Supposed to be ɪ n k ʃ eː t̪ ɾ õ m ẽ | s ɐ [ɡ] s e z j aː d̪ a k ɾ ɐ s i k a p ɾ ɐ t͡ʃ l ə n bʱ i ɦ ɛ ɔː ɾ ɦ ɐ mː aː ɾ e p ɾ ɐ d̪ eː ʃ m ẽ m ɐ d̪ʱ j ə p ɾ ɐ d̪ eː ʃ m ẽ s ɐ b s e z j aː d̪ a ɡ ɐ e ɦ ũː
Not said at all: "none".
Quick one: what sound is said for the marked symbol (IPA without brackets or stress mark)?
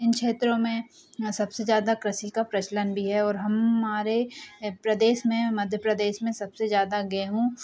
b